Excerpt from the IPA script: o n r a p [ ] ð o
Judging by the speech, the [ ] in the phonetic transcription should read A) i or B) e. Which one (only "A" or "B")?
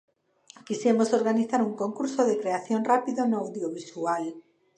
A